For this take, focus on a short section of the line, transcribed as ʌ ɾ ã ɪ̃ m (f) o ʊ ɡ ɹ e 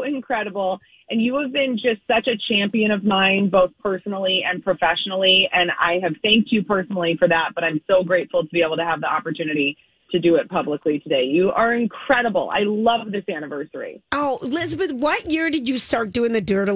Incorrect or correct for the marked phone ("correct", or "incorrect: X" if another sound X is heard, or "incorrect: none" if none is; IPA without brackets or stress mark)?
incorrect: s